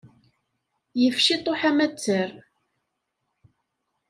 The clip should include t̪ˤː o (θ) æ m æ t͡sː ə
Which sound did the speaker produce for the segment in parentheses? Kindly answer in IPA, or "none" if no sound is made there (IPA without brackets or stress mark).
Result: ħ